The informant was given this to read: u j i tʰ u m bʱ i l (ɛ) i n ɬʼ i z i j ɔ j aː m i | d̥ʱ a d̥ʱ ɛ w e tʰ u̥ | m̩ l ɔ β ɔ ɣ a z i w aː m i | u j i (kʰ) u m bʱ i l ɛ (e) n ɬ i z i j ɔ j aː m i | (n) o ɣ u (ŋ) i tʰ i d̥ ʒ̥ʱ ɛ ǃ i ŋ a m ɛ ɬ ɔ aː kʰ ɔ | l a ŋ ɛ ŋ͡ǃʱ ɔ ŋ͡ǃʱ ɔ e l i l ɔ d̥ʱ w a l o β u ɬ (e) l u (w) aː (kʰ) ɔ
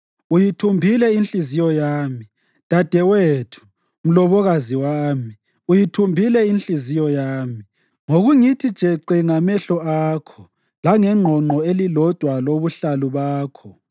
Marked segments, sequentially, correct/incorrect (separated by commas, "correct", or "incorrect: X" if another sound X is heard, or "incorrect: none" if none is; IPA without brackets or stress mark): correct, incorrect: tʰ, incorrect: i, incorrect: ŋ, correct, incorrect: a, incorrect: β, correct